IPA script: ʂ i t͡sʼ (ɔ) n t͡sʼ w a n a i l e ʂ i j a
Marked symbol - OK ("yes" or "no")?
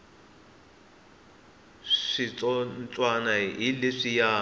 yes